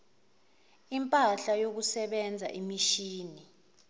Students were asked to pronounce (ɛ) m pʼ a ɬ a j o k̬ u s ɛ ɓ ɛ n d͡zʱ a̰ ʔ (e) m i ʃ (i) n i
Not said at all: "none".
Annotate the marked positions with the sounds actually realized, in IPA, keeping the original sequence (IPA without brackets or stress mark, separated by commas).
i, i, iː